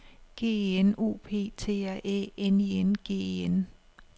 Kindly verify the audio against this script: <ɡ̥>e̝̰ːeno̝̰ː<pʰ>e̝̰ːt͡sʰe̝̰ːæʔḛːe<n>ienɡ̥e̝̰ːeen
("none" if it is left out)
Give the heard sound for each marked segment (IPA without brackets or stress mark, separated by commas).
ɡ̥, pʰ, n